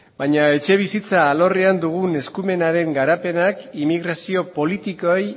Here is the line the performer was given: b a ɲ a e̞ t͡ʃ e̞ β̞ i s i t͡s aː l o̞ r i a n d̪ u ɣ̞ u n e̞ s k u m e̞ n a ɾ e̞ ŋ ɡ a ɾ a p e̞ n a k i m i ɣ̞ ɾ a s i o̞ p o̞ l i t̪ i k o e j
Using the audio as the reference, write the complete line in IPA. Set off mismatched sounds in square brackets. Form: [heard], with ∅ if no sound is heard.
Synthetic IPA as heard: b a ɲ a e̞ t͡ʃ e̞ β̞ i s i t͡s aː l o̞ r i a n d̪ u ɣ̞ u n e̞ s k u m e̞ n a ɾ e̞ ŋ ɡ a ɾ a p e̞ n a k i m i ɣ̞ ɾ a s i o̞ p o̞ l i t̪ i k o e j